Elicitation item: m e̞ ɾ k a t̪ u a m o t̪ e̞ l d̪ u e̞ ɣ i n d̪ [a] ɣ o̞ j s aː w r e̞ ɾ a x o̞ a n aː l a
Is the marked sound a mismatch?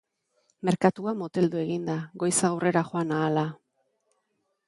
no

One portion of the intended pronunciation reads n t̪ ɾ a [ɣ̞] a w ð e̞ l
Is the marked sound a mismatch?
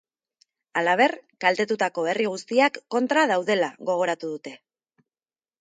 yes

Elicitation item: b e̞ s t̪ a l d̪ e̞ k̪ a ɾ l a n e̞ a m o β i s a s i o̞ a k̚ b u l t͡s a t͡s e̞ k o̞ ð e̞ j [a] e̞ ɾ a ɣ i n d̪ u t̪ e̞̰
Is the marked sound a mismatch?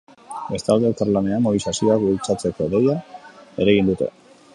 no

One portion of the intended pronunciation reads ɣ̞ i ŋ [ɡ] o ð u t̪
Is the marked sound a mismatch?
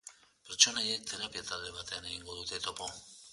no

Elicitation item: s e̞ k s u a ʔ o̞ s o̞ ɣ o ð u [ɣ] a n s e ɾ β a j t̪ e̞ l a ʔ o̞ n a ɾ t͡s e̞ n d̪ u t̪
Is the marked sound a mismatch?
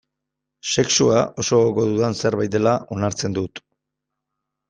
yes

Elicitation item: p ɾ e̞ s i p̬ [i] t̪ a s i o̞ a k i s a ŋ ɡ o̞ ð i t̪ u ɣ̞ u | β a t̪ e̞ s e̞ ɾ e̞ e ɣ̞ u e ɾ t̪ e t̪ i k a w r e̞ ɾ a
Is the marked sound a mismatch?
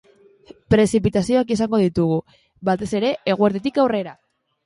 no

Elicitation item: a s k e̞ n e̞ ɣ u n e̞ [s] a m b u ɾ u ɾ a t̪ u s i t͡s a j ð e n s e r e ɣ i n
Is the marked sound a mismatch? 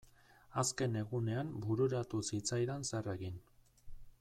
yes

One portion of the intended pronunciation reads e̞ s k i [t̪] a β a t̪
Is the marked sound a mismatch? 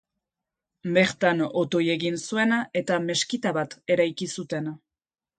no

